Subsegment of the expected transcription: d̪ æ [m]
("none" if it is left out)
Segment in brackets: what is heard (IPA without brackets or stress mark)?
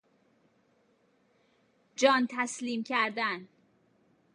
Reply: n